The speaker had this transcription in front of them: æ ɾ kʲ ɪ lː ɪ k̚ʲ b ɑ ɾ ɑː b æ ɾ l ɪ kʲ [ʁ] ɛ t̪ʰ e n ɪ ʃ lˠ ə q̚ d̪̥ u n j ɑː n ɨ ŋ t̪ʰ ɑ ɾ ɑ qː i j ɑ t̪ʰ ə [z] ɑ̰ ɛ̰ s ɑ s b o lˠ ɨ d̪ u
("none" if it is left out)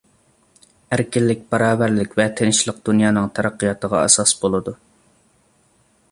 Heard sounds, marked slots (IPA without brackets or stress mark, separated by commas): v, ʁ